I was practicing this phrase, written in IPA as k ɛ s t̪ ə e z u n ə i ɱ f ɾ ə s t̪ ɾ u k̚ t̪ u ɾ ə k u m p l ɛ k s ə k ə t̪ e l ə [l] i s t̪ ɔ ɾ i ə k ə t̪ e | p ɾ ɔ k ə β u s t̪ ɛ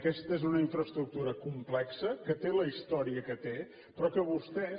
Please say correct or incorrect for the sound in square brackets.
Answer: incorrect